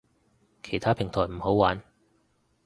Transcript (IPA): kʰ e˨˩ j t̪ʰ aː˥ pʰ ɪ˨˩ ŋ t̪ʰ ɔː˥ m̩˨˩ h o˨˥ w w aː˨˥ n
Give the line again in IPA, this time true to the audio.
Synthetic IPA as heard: kʰ e˨˩ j t̪ʰ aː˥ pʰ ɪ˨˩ ŋ t̪ʰ ɔː˨˩ m̩˨˩ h o˨˥ w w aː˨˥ n